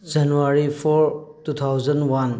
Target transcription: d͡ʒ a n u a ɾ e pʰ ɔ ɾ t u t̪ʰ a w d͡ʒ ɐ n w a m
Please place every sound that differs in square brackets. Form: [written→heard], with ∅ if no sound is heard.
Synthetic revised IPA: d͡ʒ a n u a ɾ [e→i] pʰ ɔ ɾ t u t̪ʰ a w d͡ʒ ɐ n w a [m→n]